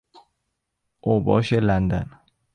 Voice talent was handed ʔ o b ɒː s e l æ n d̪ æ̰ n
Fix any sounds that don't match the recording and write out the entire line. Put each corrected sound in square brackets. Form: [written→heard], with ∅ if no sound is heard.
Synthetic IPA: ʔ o b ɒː [s→ʃ] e l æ n d̪ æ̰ n